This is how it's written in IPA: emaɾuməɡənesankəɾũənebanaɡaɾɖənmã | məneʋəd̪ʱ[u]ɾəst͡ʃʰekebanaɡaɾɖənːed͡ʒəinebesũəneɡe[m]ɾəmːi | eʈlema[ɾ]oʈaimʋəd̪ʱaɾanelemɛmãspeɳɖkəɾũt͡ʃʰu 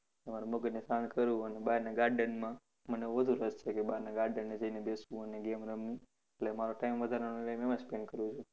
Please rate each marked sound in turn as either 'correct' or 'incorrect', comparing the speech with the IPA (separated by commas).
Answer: correct, correct, correct